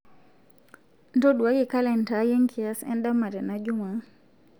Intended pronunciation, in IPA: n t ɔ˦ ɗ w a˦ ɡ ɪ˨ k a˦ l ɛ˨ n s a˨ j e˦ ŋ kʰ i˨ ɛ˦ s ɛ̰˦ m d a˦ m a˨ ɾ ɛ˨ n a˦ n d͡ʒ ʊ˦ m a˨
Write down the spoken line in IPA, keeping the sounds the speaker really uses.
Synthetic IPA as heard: n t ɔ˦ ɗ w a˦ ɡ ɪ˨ k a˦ l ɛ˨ n t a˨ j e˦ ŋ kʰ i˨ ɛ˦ s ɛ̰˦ n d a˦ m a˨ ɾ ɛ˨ n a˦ d͡ʒ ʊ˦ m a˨